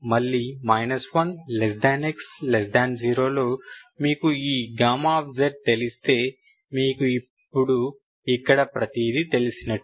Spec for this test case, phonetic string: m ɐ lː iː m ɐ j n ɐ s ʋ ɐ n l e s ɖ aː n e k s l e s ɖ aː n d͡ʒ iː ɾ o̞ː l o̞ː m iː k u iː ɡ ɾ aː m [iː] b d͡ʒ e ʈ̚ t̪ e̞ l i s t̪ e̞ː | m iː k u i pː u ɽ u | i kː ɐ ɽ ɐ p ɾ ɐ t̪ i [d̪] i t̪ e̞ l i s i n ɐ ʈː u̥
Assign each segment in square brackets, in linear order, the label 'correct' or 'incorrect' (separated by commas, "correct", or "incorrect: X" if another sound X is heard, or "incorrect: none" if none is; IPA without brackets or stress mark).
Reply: incorrect: aː, correct